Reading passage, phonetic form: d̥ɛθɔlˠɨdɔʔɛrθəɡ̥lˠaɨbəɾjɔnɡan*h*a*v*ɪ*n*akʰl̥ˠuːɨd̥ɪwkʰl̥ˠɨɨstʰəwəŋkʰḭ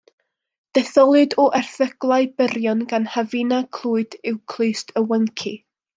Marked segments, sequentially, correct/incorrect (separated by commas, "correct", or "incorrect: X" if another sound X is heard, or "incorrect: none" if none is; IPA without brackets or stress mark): correct, correct, correct